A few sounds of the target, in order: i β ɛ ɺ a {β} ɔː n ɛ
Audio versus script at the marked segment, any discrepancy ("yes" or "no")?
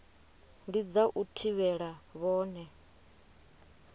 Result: no